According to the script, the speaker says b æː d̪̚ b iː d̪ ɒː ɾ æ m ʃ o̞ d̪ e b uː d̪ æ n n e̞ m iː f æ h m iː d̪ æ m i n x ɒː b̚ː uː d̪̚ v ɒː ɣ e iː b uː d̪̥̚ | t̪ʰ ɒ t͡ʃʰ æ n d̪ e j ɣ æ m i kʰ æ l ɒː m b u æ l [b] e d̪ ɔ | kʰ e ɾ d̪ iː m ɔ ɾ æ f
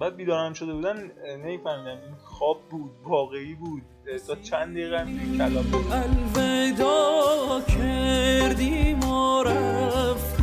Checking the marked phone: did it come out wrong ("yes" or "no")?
yes